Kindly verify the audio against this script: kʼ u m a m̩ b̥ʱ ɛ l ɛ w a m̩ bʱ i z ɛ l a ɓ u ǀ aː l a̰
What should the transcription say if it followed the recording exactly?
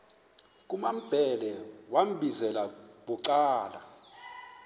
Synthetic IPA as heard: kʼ u m a m̩ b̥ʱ ɛ l ɛ w a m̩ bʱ i z ɛ l a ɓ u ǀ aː l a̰